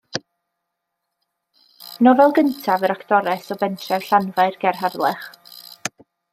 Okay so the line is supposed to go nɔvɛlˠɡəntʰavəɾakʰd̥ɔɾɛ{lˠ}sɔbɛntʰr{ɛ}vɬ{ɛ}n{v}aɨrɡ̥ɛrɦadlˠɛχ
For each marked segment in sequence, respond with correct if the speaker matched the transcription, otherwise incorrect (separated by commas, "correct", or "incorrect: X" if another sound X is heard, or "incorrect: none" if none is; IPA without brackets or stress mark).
incorrect: none, correct, incorrect: a, correct